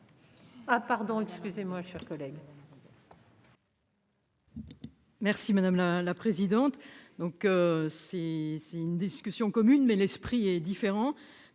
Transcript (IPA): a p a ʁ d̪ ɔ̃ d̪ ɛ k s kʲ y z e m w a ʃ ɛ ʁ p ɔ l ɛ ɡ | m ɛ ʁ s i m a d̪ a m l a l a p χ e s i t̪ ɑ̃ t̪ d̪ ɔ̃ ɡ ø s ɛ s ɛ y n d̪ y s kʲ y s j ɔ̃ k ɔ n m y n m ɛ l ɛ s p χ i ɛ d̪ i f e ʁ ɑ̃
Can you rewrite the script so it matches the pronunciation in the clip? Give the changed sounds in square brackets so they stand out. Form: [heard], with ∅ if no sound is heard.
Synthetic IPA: a p a ʁ d̪ ɔ̃ [∅] ɛ k s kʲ y z e m w a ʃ ɛ ʁ [k] ɔ l ɛ ɡ | m ɛ ʁ s i m a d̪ a m l a l a p χ e [z] i [d̪] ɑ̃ t̪ d̪ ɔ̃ [k] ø s ɛ s ɛ y n d̪ [i] s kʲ y s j ɔ̃ k ɔ [∅] m y n m ɛ l ɛ s p χ i ɛ d̪ i f e ʁ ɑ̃